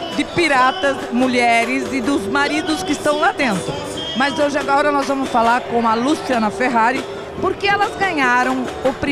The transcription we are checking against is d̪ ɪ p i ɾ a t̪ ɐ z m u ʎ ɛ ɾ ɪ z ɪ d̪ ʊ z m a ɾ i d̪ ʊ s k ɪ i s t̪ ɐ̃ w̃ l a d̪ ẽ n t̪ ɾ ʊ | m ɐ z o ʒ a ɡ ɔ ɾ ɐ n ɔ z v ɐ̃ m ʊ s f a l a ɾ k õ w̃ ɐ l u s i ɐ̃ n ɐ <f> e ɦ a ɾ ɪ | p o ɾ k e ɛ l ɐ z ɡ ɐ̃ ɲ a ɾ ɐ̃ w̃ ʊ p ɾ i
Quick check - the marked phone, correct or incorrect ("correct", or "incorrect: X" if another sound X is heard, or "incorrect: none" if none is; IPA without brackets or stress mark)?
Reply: correct